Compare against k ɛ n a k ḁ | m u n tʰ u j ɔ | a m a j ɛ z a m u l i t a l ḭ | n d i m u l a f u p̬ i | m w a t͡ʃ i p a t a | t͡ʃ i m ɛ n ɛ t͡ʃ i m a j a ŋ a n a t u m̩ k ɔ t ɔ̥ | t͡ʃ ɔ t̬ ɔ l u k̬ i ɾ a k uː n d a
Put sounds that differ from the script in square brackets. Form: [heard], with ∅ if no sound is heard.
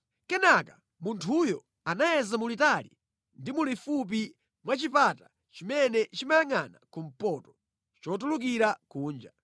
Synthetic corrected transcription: k ɛ n a k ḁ | m u n tʰ u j ɔ | a [n] a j ɛ z a m u l i t a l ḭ | n d i m u l [i] f u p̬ i | m w a t͡ʃ i p a t a | t͡ʃ i m ɛ n ɛ t͡ʃ i m a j a ŋ a n a [k] u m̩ [p] ɔ t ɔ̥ | t͡ʃ ɔ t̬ [u] l u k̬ i ɾ a k uː n [d͡ʒ] a